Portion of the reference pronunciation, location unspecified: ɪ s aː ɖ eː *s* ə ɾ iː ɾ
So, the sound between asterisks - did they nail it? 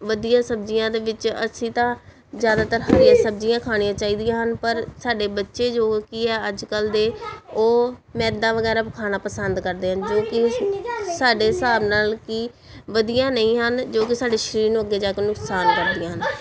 no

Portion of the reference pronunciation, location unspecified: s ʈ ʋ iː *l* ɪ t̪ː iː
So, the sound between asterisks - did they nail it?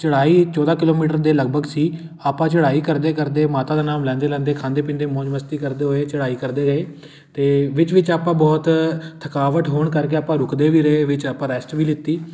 yes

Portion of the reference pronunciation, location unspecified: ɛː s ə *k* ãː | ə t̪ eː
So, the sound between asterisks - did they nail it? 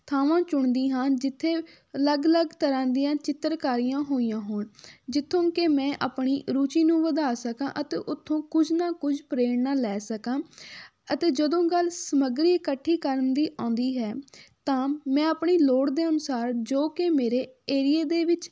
yes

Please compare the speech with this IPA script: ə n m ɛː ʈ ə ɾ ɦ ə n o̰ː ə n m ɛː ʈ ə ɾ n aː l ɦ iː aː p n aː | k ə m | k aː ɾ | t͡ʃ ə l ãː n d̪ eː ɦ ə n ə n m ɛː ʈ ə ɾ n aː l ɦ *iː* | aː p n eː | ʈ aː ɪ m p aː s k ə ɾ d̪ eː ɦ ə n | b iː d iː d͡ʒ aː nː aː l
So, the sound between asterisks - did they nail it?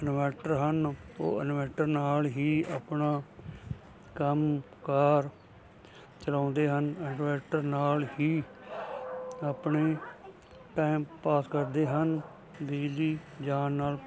yes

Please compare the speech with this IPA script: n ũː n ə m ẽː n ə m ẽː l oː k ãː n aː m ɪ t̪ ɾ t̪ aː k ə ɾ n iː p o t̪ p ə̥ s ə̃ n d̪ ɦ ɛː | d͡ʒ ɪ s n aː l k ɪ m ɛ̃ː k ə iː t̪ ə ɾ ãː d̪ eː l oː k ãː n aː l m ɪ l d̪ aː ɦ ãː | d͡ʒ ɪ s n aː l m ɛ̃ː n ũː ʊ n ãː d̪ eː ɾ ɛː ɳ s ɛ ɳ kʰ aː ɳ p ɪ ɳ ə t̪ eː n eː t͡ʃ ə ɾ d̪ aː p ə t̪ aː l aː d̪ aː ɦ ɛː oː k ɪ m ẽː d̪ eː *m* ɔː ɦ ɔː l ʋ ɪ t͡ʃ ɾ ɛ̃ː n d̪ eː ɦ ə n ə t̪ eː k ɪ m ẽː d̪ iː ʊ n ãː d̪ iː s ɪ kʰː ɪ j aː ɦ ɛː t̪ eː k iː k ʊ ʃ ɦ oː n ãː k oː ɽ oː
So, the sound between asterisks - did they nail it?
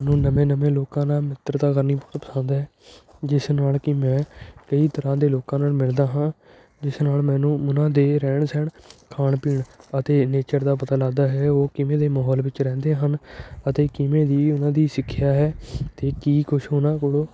yes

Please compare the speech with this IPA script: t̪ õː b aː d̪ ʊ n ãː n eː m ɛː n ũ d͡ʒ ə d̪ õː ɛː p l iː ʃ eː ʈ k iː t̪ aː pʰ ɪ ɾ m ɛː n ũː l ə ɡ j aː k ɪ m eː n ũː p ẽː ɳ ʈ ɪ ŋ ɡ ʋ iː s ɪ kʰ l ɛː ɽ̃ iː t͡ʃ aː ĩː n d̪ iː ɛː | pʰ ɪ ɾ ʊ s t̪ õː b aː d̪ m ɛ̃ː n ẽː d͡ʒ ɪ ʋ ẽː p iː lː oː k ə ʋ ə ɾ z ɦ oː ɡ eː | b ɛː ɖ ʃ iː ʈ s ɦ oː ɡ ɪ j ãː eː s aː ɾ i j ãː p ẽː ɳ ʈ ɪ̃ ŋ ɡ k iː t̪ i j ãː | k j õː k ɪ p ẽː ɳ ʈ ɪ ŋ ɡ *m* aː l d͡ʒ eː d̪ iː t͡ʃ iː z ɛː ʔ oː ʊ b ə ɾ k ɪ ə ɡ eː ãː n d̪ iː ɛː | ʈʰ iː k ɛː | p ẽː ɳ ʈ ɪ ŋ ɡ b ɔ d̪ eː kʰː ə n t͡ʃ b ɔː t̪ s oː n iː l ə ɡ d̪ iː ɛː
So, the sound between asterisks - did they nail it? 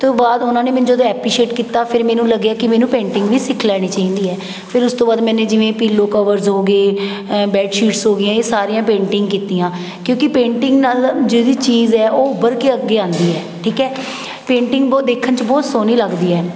no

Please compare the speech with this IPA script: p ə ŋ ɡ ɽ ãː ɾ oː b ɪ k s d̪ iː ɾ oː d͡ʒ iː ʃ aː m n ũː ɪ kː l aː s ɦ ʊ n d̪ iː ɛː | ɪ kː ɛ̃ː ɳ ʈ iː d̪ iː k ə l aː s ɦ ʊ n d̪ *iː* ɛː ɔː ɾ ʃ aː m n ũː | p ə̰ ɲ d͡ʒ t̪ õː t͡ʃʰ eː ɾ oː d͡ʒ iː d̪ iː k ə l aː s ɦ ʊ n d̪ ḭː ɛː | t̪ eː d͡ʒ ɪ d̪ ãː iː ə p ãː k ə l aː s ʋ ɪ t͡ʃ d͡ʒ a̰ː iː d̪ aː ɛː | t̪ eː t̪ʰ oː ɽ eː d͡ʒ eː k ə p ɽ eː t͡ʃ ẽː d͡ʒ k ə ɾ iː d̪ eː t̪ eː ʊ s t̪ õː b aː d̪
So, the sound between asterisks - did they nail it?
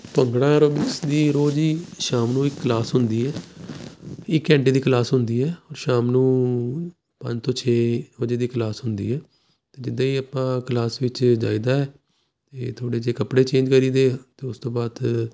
yes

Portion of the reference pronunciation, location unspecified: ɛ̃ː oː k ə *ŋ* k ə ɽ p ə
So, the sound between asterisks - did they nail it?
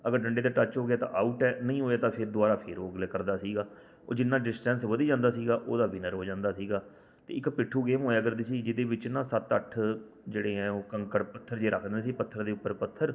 yes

